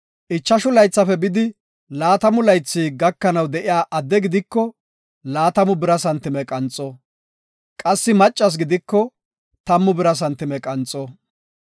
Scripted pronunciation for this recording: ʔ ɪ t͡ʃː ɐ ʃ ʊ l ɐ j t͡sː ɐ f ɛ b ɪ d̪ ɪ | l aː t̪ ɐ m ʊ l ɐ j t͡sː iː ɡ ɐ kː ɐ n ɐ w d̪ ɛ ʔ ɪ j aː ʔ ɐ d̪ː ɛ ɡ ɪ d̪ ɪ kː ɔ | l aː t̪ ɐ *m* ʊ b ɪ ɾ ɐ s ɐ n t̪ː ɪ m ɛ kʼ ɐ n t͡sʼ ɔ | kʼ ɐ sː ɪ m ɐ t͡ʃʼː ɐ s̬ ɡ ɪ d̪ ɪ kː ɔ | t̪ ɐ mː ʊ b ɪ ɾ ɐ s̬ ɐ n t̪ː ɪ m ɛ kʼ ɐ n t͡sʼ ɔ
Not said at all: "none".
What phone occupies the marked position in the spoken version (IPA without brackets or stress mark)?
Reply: m